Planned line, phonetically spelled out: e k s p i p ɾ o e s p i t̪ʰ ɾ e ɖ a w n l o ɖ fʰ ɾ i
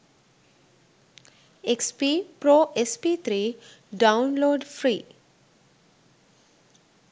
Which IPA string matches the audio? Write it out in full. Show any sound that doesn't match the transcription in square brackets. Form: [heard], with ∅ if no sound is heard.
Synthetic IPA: e k s p i p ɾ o e s p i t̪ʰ ɾ [i] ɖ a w n l o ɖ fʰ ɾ i